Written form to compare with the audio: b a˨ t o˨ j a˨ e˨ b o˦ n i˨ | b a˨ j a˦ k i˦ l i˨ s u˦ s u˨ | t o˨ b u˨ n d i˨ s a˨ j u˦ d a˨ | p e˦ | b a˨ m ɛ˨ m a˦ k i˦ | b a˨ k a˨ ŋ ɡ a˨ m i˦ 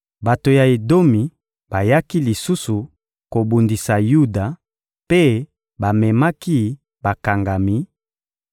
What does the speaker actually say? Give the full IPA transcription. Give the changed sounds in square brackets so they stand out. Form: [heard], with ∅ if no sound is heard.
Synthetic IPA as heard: b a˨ t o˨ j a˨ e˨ [d] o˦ [m] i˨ | b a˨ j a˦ k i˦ l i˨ s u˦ s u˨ | [k] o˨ b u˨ n d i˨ s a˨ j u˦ d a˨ | p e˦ | b a˨ m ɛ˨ m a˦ k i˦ | b a˨ k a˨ ŋ ɡ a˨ m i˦